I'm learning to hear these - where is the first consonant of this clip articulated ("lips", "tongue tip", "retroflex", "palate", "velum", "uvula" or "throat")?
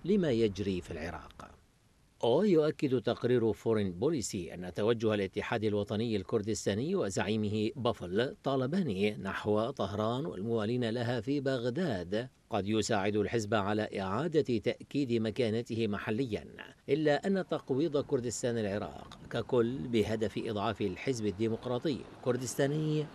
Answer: tongue tip